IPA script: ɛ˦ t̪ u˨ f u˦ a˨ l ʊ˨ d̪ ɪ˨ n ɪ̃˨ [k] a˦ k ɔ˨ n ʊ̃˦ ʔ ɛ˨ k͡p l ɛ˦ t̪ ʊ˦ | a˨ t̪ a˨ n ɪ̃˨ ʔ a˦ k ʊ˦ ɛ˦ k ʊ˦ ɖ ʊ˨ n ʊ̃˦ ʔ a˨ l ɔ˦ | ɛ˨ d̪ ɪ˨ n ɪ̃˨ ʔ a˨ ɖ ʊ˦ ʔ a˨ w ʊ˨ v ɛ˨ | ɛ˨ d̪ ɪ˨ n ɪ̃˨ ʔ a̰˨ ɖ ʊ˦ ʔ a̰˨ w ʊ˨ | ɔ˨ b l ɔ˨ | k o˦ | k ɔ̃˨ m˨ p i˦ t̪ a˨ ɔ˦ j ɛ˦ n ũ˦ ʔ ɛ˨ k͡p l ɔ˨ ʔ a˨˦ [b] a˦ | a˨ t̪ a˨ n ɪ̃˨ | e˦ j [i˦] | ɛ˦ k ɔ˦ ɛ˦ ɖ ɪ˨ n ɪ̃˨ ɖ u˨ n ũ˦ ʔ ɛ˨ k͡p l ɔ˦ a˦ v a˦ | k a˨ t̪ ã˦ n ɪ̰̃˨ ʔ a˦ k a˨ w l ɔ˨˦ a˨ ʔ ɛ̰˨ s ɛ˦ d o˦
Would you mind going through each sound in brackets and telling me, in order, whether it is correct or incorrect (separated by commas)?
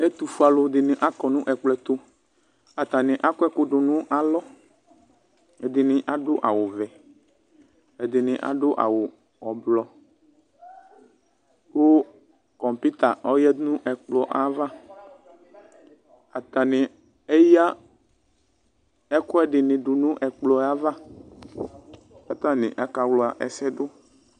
incorrect, incorrect, incorrect